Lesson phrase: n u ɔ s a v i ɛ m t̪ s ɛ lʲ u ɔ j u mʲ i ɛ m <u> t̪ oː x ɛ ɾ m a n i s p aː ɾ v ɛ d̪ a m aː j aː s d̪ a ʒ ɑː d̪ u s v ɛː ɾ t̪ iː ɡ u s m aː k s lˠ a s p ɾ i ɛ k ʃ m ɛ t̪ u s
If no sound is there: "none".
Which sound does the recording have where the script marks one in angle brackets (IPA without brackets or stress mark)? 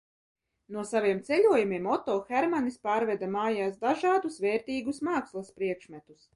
ɔ